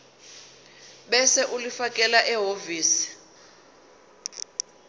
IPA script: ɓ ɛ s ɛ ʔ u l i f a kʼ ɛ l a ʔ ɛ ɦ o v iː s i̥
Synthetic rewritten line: ɓ ɛ s ɛ ʔ u l i f a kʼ ɛ l a ʔ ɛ ɦ o v iː s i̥